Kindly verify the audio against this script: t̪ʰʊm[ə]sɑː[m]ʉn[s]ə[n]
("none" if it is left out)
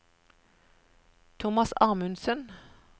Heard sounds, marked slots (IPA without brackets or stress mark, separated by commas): ɑ, m, s, n